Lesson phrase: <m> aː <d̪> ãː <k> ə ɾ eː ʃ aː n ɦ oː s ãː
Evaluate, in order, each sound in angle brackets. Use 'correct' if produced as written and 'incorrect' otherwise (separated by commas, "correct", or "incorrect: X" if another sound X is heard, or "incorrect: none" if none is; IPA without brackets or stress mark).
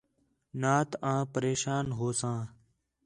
incorrect: n, incorrect: t̪, incorrect: p